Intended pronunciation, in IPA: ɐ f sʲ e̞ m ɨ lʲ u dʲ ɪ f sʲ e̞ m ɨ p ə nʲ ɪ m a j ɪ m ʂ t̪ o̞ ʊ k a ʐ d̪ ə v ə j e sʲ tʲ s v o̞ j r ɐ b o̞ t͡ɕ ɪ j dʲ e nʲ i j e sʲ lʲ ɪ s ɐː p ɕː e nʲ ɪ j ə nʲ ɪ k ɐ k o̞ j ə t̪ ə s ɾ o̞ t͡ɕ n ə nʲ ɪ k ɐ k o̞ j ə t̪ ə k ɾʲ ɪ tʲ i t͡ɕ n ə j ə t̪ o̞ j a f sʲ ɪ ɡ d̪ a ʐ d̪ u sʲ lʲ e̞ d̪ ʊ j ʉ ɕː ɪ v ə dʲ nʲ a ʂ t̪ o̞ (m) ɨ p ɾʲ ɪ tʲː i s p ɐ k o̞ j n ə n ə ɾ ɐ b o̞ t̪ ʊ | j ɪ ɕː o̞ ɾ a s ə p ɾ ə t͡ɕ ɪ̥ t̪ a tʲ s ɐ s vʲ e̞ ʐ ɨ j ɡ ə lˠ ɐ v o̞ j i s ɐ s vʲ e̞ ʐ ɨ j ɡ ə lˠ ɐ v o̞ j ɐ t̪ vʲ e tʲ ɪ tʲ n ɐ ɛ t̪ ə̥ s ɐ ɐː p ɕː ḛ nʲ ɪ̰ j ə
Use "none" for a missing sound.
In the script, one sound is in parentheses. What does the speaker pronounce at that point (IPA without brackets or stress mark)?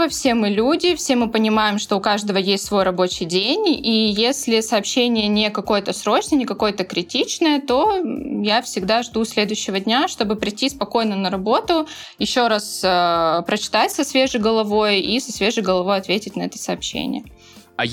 b